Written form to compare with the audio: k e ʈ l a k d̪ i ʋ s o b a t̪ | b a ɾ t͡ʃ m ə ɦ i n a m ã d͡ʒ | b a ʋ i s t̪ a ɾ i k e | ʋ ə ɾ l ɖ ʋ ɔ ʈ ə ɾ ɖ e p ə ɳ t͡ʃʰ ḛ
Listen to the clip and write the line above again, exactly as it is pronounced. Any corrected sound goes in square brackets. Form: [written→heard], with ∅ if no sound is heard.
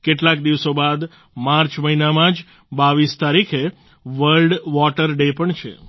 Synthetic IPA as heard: k e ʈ l a k d̪ i ʋ s o b a [t̪→d̪] | [b→m] a ɾ t͡ʃ m ə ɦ i n a m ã d͡ʒ | b a ʋ i s t̪ a ɾ i [k→kʰ] e | ʋ ə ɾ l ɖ ʋ ɔ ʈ ə ɾ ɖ e p ə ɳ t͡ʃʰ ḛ